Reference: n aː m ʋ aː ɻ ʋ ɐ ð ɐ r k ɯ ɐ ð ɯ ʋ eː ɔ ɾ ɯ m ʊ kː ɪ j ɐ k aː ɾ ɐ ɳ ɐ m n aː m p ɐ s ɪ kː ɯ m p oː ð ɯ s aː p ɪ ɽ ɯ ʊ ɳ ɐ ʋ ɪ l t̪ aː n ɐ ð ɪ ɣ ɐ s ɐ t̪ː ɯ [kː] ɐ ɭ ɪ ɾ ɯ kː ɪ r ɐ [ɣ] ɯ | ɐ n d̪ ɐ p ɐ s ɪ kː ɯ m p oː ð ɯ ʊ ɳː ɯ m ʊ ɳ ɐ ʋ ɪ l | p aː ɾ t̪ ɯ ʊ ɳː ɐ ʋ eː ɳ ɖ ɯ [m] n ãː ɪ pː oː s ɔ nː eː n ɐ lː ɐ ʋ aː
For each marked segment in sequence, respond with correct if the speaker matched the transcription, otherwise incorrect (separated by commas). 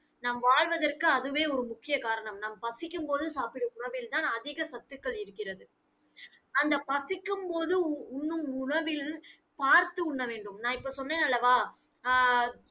correct, incorrect, correct